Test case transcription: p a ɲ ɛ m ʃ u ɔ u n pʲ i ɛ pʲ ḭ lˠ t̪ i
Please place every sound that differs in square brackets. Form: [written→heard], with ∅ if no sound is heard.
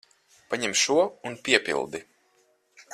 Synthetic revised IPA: p a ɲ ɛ m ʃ u ɔ u n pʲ i ɛ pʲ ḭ lˠ [t̪→d̪] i